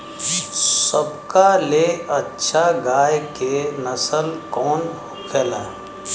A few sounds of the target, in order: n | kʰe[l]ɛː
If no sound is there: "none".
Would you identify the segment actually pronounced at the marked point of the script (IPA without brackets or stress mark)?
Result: l